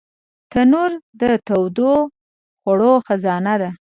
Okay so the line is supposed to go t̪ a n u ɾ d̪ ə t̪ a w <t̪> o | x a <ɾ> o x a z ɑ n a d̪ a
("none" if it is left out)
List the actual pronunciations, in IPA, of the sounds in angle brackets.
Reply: d̪, ɽ

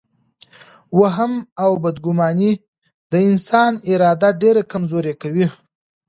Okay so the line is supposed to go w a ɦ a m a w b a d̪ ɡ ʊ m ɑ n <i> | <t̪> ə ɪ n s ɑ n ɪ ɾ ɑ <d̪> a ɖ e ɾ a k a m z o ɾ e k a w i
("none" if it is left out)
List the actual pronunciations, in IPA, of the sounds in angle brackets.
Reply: i, d̪, d̪

